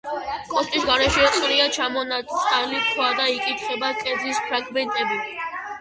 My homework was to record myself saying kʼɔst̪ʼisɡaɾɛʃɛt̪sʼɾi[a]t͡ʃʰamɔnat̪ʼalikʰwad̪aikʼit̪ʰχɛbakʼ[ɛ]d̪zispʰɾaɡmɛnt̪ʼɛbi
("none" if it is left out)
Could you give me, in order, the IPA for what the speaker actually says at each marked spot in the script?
a, ɛ

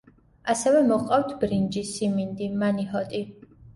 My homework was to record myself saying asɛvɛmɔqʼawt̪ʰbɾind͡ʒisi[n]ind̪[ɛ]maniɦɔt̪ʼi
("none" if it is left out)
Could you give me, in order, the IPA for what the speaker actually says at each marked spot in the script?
m, i

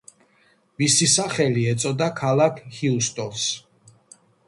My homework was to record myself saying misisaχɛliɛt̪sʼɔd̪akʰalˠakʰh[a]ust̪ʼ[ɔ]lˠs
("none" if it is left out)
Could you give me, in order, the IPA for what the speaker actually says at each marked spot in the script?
i, ɔ

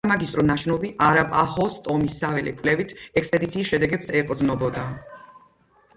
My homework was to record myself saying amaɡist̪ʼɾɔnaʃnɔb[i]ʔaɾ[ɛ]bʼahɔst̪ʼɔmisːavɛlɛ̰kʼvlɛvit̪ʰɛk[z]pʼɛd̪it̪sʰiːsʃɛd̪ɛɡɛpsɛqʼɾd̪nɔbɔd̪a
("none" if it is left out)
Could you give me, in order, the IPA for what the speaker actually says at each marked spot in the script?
i, a, s

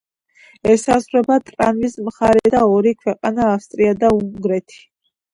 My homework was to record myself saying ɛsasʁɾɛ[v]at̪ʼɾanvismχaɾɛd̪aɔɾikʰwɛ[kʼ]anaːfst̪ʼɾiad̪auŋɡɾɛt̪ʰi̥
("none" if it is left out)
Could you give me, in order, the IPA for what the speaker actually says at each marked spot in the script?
b, qʼ

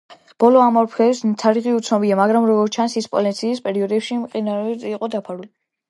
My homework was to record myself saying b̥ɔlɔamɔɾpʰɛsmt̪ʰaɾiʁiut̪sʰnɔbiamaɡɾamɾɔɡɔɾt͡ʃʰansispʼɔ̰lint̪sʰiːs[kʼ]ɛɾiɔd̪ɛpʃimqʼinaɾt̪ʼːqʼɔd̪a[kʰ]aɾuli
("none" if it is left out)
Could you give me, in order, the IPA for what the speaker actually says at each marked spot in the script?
pʼ, pʰ

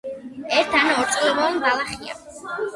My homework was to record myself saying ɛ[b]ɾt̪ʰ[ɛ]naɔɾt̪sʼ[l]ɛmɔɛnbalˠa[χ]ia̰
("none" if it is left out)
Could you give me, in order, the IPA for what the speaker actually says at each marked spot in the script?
none, a, l, χ

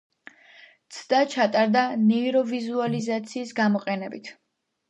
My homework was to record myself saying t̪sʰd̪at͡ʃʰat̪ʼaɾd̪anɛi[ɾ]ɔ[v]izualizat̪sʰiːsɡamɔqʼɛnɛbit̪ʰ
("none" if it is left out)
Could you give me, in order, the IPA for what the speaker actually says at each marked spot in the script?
ɾ, v

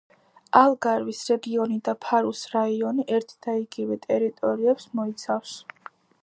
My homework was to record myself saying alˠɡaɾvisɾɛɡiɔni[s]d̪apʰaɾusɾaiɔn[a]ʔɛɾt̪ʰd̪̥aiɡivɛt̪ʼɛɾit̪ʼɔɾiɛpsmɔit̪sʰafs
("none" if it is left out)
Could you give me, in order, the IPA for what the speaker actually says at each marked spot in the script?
none, i

